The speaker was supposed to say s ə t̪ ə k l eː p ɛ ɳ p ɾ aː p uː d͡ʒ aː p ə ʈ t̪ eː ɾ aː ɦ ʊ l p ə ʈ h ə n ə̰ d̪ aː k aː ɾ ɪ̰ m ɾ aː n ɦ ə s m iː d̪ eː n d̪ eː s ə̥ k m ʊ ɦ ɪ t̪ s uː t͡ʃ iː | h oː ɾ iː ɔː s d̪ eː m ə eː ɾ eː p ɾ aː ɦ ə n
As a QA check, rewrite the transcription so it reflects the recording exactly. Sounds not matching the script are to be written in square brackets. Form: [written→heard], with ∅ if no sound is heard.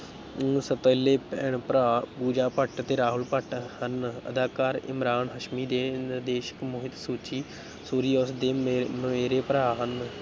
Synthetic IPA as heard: s ə t̪ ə [k→∅] l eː p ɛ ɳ p ɾ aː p uː d͡ʒ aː p ə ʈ t̪ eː ɾ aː ɦ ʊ l p ə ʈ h ə n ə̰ d̪ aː k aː ɾ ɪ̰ m ɾ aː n ɦ ə [s→ʃ] m iː d̪ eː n d̪ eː [s→ʃ] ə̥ k m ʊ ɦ ɪ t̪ s uː t͡ʃ iː | [h→s] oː ɾ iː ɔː s d̪ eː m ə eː ɾ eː p ɾ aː ɦ ə n